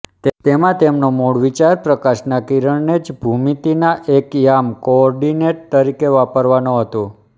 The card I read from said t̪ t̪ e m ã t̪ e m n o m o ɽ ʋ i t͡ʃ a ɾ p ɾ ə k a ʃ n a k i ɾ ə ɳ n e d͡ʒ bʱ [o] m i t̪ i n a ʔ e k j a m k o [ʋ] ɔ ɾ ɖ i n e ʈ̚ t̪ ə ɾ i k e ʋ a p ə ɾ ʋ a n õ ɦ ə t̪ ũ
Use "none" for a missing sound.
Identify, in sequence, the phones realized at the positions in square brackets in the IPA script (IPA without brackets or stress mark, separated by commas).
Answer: u, none